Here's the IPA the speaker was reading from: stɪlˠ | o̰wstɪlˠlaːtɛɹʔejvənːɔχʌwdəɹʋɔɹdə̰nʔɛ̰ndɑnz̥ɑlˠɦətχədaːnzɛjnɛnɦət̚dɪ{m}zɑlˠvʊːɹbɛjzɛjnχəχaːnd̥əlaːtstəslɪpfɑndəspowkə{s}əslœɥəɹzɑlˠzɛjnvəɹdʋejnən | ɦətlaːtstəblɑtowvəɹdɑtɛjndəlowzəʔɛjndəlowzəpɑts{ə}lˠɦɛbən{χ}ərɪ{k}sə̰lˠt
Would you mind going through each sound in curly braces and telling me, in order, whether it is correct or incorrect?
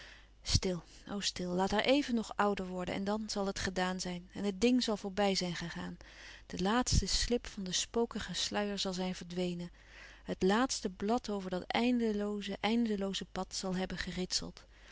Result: incorrect: ŋ, incorrect: χ, incorrect: ɑ, correct, incorrect: t

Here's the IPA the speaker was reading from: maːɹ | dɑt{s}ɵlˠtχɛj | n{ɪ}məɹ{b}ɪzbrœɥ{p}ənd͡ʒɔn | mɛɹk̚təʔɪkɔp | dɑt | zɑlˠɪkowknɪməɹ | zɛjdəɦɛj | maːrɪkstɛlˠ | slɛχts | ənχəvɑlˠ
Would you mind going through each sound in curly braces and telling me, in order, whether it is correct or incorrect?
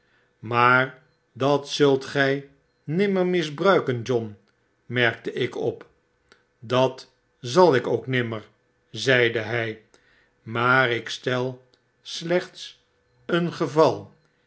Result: correct, correct, incorrect: m, incorrect: k

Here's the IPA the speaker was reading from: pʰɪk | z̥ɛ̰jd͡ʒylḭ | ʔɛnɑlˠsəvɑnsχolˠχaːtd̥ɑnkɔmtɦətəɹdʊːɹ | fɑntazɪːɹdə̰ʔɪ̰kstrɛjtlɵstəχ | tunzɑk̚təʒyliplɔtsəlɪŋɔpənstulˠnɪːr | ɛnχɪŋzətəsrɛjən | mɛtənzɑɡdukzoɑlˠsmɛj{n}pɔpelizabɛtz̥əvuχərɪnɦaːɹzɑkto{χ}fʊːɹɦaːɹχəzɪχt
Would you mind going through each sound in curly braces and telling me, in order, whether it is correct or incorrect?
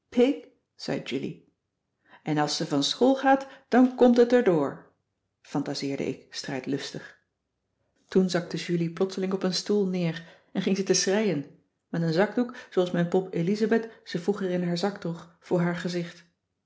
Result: correct, correct

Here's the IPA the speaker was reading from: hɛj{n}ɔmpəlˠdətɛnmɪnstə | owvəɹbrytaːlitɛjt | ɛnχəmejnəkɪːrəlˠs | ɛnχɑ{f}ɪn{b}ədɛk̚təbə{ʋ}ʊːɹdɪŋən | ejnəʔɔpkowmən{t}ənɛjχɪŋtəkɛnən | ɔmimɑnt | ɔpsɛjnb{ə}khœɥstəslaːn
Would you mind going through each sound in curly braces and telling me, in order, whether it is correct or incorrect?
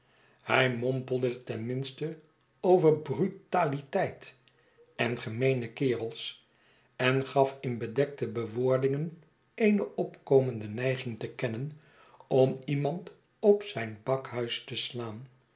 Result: incorrect: m, correct, correct, correct, incorrect: d, incorrect: ɑ

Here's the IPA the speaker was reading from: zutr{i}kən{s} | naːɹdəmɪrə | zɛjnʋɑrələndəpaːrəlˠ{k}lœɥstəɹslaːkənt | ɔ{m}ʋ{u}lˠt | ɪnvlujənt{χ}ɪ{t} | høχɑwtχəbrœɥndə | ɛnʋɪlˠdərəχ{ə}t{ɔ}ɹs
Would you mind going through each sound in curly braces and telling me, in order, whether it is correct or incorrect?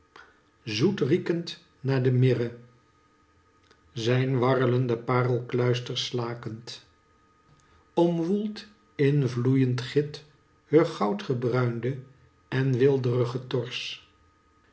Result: correct, incorrect: t, correct, correct, correct, correct, correct, correct, correct

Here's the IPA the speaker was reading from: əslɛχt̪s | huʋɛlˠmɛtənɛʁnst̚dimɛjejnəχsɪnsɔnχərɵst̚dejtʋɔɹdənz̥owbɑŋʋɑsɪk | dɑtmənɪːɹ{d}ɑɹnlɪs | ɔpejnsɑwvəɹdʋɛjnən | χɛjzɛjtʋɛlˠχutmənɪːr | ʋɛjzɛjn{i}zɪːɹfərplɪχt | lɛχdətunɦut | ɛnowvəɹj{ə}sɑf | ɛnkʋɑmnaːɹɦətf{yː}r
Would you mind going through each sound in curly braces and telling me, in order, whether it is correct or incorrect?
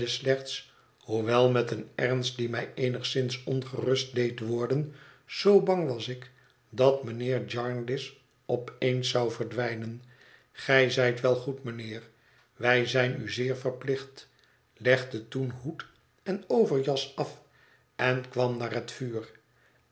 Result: incorrect: d͡ʒ, incorrect: y, incorrect: ɑ, correct

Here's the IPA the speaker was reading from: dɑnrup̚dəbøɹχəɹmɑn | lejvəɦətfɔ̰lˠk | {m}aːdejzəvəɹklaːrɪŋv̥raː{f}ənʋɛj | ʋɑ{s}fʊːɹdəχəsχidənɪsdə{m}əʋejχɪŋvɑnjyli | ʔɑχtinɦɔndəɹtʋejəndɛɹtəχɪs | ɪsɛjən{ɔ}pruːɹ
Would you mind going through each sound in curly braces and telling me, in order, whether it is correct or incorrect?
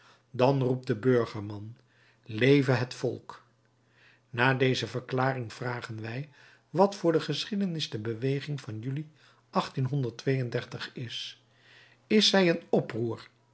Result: incorrect: n, incorrect: χ, incorrect: t, incorrect: b, correct

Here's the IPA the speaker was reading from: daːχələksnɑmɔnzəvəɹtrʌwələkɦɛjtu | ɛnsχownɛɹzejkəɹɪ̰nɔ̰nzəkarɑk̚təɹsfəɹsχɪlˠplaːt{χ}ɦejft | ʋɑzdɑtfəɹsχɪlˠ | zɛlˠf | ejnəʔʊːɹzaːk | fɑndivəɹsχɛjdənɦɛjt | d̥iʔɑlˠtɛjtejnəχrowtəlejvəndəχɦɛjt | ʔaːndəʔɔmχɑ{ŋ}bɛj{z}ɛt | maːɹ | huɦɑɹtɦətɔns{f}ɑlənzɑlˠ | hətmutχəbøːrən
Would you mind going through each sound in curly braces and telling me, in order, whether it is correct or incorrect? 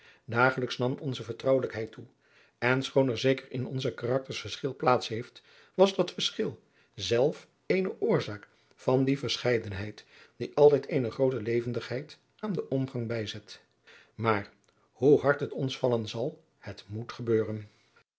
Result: incorrect: s, correct, correct, correct

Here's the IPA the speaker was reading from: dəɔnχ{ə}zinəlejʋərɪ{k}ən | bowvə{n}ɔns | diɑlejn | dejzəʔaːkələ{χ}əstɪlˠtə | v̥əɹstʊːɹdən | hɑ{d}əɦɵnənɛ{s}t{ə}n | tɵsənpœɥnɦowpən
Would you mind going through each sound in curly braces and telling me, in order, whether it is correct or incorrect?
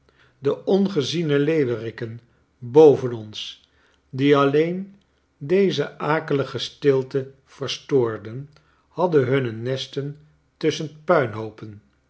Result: correct, correct, correct, correct, correct, correct, correct

